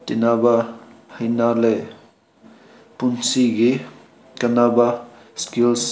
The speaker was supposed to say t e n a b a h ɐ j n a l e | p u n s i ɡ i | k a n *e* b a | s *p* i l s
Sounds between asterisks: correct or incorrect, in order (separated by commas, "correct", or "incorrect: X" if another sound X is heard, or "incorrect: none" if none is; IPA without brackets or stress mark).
incorrect: a, incorrect: k